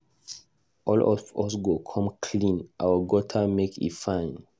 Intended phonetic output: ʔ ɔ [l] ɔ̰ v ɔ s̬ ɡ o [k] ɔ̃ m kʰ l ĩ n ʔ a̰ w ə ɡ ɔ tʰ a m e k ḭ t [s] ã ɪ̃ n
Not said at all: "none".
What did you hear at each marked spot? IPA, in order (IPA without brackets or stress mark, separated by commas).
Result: l, kʰ, f